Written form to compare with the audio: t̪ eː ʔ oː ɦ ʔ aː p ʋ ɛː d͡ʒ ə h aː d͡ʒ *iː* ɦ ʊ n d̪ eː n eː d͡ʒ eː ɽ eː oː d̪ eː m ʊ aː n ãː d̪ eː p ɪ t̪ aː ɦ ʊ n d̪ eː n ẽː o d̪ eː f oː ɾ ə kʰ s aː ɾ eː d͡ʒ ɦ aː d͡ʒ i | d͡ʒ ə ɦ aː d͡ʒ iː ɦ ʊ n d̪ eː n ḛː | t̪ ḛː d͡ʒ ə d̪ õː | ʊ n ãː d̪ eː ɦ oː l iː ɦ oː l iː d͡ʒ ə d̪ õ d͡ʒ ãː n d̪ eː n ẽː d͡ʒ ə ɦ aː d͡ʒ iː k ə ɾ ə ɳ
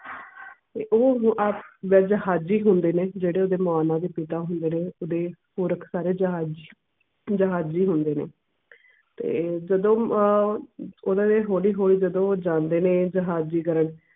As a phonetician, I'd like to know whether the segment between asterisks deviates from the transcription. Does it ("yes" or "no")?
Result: no